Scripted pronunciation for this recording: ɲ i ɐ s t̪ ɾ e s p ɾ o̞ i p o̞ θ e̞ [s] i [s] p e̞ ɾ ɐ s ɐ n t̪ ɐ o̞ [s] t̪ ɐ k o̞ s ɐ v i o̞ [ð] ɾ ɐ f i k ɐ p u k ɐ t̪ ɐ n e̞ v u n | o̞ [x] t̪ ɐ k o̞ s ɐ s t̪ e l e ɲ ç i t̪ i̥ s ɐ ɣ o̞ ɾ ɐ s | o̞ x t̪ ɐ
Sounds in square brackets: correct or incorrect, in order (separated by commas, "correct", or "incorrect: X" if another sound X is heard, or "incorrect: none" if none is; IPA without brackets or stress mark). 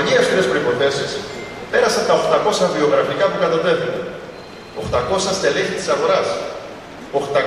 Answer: correct, correct, incorrect: x, incorrect: ɣ, correct